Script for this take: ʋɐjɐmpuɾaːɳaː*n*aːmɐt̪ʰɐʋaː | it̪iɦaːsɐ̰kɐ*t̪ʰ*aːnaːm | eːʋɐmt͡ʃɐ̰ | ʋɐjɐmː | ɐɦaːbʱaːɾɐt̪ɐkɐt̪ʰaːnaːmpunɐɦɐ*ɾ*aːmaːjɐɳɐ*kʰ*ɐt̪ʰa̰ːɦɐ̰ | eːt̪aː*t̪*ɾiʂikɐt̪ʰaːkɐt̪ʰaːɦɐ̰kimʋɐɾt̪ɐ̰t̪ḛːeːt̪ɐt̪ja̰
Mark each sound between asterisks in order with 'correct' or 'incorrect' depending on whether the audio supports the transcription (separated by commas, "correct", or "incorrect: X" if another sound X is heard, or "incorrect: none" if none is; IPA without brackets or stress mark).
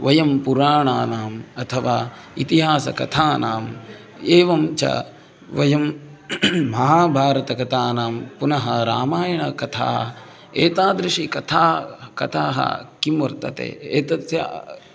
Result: correct, correct, correct, incorrect: k, incorrect: d̪